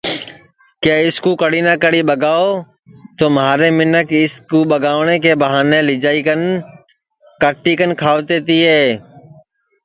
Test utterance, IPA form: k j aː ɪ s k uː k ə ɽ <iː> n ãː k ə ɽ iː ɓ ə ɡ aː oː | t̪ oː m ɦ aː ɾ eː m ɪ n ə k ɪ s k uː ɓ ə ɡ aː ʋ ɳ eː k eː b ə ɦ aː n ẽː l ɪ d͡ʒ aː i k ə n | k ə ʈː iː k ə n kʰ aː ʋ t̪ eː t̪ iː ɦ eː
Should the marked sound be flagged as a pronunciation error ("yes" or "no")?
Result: no